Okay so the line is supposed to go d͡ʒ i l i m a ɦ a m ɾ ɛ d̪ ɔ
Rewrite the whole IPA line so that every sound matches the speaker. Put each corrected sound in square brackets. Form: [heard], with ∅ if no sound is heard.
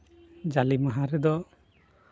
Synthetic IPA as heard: d͡ʒ [a] l i m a ɦ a [∅] ɾ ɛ d̪ ɔ